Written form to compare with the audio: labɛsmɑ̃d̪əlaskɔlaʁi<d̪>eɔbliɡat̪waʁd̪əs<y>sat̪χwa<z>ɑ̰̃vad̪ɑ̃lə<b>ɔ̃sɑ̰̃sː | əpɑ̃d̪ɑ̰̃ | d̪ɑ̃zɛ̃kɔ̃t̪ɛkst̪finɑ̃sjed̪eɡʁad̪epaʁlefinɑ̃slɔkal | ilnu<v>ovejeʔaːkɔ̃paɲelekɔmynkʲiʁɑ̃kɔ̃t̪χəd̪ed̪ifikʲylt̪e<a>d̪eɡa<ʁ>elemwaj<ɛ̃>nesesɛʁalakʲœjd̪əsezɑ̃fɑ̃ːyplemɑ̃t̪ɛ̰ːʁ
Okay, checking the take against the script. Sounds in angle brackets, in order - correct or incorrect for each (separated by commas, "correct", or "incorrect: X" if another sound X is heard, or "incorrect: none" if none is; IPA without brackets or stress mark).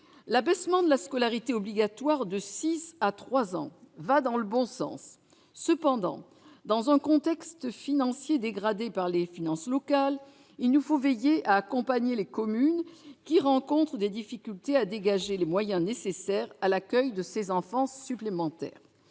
incorrect: t̪, incorrect: i, correct, correct, incorrect: f, correct, incorrect: ʒ, correct